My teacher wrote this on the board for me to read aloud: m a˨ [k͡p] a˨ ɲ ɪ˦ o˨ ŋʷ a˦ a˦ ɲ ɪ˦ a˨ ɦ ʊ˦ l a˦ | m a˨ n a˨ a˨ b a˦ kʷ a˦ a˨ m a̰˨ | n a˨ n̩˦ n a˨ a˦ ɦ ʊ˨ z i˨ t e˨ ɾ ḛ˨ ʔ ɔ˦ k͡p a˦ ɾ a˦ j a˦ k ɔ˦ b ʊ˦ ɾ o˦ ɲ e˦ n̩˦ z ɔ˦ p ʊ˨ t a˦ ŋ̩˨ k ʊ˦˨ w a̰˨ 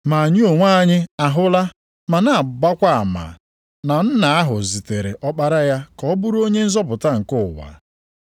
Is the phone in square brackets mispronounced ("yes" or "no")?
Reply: yes